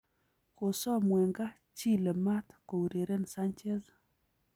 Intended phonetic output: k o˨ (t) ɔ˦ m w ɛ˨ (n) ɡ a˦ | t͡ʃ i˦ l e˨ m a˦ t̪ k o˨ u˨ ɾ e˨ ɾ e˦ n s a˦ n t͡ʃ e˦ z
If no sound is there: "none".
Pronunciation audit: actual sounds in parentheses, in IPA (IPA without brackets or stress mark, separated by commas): s, ŋ